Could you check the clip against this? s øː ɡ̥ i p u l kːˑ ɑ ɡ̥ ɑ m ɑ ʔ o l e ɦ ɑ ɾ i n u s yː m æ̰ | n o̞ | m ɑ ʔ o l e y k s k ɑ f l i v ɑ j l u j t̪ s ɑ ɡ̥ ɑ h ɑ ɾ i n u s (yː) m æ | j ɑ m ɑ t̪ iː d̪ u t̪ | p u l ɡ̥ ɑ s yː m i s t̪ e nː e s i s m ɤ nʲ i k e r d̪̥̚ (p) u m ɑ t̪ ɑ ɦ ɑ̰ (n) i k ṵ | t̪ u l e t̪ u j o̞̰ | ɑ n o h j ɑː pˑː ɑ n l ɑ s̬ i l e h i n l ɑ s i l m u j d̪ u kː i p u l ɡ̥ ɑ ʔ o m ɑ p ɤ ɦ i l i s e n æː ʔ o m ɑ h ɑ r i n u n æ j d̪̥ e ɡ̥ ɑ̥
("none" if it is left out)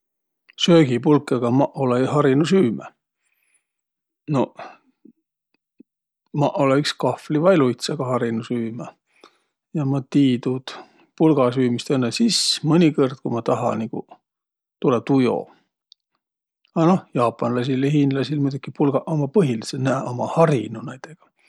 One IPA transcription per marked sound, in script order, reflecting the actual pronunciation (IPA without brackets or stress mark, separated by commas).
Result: yː, k, n